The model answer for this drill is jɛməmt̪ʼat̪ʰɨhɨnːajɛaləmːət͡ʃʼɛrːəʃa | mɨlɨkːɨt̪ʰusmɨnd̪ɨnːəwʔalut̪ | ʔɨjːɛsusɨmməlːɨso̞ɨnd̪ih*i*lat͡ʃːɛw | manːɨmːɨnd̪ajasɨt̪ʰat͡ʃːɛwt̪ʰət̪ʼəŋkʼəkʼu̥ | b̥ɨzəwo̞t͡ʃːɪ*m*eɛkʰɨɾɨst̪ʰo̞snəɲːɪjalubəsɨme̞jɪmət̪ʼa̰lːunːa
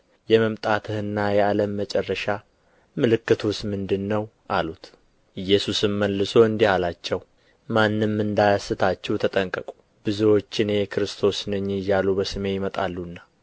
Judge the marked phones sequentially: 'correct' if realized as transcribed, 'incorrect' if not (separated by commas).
incorrect, incorrect